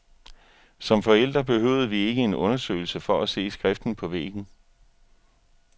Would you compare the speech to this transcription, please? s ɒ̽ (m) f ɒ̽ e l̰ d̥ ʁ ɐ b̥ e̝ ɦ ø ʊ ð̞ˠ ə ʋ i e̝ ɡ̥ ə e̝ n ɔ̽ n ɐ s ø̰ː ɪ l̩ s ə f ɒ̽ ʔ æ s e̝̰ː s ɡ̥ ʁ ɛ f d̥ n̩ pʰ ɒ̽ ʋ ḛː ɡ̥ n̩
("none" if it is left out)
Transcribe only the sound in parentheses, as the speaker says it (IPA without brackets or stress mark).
m